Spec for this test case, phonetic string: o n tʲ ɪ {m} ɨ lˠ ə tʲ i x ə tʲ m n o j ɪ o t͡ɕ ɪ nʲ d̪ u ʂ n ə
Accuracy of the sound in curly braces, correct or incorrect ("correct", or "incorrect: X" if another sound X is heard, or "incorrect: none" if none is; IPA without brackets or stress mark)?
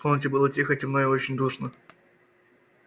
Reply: incorrect: b